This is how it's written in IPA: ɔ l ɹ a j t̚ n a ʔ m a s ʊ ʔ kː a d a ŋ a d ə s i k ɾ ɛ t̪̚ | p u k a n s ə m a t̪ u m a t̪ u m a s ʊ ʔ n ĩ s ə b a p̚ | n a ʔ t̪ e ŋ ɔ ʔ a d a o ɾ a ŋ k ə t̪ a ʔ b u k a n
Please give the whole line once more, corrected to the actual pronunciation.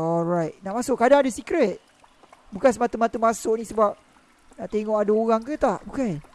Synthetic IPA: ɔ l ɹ a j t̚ n a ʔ m a s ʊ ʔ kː a d a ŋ a d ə s i k ɾ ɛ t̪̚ | b u k a n s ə m a t̪ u m a t̪ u m a s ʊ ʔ n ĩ s ə b a p̚ | n a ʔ t̪ e ŋ ɔ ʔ a d a o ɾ a ŋ k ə t̪ a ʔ b u k a n